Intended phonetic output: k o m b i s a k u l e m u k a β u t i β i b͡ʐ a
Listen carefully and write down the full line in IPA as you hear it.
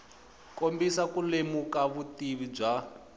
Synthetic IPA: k o m b i s a k u l e m u k a β u t i β i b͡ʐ a